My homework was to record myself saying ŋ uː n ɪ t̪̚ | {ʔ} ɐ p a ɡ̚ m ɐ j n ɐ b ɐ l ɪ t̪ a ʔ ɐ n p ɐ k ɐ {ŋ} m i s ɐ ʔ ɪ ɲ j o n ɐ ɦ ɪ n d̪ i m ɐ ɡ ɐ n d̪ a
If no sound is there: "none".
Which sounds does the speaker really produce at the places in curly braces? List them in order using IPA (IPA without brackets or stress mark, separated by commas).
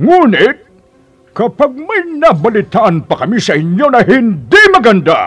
k, none